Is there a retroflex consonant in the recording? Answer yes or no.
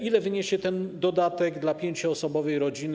no